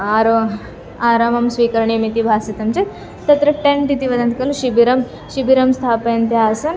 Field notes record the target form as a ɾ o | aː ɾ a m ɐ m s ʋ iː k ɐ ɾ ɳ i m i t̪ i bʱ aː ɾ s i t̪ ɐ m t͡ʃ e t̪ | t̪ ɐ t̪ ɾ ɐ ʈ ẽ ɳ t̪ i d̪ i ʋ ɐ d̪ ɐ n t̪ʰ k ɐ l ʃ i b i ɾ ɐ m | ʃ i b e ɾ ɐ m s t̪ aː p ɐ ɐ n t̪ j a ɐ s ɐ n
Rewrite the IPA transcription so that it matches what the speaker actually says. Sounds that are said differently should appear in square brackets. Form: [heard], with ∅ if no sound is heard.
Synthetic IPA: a ɾ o | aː ɾ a m ɐ m s ʋ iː k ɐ ɾ ɳ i m i t̪ i bʱ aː [∅] s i t̪ ɐ m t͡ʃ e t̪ | t̪ ɐ t̪ ɾ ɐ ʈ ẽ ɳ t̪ i [t̪] i ʋ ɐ d̪ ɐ n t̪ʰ k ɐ l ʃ i b i ɾ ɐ m | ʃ i b [i] ɾ ɐ m s [t̪ʰ] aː p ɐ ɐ n t̪ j a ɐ s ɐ n

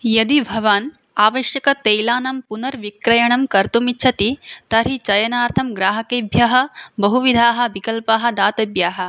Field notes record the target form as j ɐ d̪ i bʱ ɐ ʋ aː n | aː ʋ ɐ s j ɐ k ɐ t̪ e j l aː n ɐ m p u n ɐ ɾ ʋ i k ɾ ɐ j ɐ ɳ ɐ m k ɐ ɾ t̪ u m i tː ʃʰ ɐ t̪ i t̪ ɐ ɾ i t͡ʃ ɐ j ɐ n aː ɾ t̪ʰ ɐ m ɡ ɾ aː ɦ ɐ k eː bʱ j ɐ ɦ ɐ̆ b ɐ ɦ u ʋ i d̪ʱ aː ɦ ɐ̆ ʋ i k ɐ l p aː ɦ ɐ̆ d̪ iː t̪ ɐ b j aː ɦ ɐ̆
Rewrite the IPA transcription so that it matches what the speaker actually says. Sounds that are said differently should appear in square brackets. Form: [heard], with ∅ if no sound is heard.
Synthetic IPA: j ɐ d̪ i bʱ ɐ ʋ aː n | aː ʋ ɐ [ʃ] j ɐ k ɐ t̪ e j l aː n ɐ m p u n ɐ ɾ ʋ i k ɾ ɐ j ɐ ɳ ɐ m k ɐ ɾ t̪ u m i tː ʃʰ ɐ t̪ i t̪ ɐ ɾ i t͡ʃ ɐ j ɐ n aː ɾ t̪ʰ ɐ m ɡ ɾ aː ɦ ɐ k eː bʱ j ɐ ɦ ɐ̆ b ɐ ɦ u ʋ i d̪ʱ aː ɦ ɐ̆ ʋ i k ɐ l p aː ɦ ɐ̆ d̪ [aː] t̪ ɐ b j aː ɦ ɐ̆

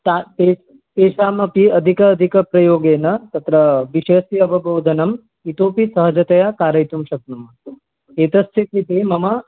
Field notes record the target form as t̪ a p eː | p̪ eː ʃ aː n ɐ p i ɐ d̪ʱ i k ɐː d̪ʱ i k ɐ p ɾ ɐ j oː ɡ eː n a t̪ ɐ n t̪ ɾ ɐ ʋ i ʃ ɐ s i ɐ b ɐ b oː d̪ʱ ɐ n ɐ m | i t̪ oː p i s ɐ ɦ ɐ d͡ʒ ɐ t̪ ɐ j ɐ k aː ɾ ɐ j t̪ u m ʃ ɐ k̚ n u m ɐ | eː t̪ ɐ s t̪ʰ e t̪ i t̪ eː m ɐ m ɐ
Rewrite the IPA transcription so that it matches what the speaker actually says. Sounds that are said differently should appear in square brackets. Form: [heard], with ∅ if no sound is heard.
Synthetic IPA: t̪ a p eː | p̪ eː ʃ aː [m] ɐ p i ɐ d̪ʱ i k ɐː d̪ʱ i k ɐ p ɾ ɐ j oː ɡ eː n [ɐ] t̪ ɐ [∅] t̪ ɾ ɐ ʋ i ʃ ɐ s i ɐ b ɐ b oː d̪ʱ ɐ n ɐ m | i t̪ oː p i s ɐ ɦ ɐ d͡ʒ ɐ t̪ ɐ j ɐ k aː ɾ ɐ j t̪ u m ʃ ɐ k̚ n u m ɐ | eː t̪ ɐ s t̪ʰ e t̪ i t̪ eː m ɐ m ɐ

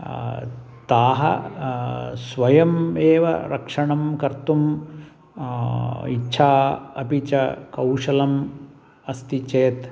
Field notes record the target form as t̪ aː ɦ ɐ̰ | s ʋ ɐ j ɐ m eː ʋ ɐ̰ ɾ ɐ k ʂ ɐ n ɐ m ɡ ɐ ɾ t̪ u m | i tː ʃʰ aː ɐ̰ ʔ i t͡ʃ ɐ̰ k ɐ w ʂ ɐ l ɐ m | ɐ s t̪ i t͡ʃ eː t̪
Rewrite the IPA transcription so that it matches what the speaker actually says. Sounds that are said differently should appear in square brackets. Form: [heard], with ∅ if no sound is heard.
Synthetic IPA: t̪ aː ɦ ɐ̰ | s ʋ ɐ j ɐ m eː ʋ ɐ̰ ɾ ɐ k ʂ ɐ [ɳ] ɐ m [k] ɐ ɾ t̪ u m | i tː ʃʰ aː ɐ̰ [p] i t͡ʃ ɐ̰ k ɐ w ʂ ɐ l ɐ m | ɐ s t̪ i t͡ʃ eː t̪

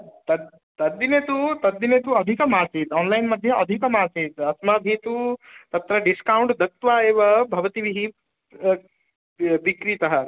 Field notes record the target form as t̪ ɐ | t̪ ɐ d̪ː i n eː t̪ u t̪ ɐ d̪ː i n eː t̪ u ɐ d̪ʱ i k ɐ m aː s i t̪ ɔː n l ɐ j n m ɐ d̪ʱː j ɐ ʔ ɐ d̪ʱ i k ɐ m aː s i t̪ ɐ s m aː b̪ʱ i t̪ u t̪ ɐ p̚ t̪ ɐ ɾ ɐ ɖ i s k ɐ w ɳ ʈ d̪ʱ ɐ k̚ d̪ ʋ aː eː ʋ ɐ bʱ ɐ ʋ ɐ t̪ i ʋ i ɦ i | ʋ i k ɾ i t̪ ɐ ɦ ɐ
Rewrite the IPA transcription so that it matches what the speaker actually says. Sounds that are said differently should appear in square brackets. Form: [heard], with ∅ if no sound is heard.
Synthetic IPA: t̪ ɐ | t̪ ɐ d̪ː i n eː t̪ u t̪ ɐ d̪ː i n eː t̪ u ɐ d̪ʱ i k ɐ m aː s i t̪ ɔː n l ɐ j n m ɐ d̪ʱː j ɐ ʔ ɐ d̪ʱ i k ɐ m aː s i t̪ ɐ s m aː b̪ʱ i t̪ u t̪ ɐ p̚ t̪ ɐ ɾ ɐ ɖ i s k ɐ w ɳ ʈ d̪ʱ ɐ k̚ [t̪] ʋ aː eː ʋ ɐ bʱ ɐ ʋ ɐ t̪ i ʋ i ɦ i | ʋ i k ɾ i t̪ ɐ ɦ ɐ

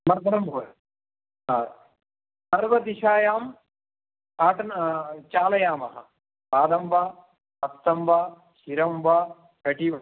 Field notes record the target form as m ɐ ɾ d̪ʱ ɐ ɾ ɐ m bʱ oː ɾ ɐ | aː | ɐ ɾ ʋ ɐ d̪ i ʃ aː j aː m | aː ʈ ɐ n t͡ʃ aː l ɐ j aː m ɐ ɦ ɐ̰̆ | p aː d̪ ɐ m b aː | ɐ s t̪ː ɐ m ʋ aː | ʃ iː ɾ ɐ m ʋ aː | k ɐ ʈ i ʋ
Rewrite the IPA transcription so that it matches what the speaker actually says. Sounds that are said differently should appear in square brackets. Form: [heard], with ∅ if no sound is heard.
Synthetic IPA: m ɐ ɾ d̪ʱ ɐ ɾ ɐ m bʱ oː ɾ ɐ | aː | ɐ ɾ ʋ ɐ d̪ i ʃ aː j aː m | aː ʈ ɐ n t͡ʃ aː l ɐ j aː m ɐ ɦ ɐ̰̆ | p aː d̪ ɐ m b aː | ɐ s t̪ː ɐ m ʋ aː | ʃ [i] ɾ ɐ m ʋ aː | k ɐ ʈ i ʋ

